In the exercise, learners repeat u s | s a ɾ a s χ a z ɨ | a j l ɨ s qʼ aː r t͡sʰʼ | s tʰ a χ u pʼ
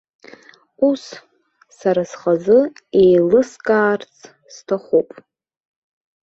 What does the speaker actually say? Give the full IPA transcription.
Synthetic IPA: u s | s a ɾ a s χ a z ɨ | e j l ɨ s kʼ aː r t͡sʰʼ | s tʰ a χ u pʼ